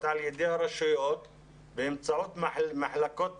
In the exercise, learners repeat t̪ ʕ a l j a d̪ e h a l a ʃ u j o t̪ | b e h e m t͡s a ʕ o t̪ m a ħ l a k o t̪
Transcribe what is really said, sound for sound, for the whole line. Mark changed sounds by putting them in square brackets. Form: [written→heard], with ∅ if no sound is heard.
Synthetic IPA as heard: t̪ ʕ a l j [a→e] d̪ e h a [l→ɾ] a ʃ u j o t̪ | b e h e m t͡s a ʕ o t̪ m a ħ l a k o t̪